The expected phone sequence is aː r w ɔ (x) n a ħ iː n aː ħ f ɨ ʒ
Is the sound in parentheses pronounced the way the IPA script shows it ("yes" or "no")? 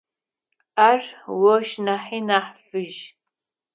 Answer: no